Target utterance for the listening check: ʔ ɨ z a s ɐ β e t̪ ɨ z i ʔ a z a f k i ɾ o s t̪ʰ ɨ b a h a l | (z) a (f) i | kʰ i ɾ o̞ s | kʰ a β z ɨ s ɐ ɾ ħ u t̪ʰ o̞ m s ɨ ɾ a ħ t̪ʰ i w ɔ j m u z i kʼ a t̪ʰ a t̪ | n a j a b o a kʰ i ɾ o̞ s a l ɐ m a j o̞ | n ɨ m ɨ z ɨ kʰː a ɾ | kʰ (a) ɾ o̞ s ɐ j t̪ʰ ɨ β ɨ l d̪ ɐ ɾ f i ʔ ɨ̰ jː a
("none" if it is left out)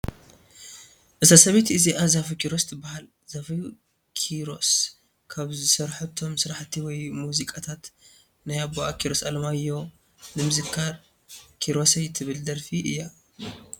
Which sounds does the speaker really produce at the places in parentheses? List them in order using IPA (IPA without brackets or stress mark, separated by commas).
z, f, i